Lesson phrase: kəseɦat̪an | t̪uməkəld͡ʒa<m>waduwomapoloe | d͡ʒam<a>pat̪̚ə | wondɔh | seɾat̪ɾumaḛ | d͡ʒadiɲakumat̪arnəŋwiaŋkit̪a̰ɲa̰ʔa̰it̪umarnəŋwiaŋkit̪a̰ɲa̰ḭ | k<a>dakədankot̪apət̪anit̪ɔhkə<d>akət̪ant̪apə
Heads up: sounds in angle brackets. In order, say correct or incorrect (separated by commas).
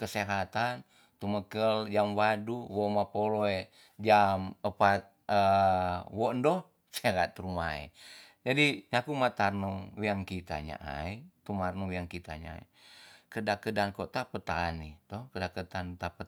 correct, incorrect, incorrect, correct